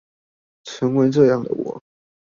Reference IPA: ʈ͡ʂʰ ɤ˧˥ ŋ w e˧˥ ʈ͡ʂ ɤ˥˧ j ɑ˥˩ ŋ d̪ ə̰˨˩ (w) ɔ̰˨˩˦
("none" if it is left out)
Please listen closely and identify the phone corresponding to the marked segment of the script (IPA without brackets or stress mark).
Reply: w